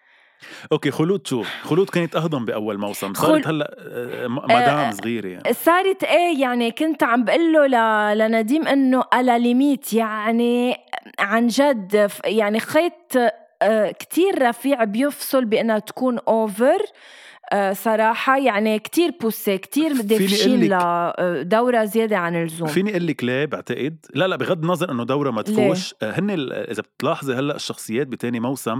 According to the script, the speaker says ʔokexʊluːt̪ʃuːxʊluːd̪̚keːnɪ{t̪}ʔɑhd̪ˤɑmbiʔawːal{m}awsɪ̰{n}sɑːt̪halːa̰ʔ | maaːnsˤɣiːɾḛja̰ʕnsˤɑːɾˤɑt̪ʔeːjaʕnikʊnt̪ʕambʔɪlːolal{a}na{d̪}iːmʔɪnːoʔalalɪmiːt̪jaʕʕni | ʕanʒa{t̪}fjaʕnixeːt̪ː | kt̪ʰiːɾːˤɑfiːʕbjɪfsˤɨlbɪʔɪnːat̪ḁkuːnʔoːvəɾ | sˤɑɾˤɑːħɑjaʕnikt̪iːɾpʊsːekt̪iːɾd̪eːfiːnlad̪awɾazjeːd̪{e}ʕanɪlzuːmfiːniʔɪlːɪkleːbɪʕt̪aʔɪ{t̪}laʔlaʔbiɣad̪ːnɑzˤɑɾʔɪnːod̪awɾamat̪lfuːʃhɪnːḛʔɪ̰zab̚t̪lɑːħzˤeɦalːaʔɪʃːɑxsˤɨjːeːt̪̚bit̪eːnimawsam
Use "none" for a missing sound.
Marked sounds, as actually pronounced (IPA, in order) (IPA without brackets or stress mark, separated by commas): t̪, m, m, a, d̪, d̪, e, d̪